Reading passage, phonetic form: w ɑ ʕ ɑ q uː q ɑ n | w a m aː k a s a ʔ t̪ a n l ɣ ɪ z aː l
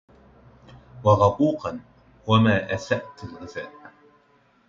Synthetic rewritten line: w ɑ ɣ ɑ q uː q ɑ n | w a m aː ʔ a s a ʔ t̪ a l ɣ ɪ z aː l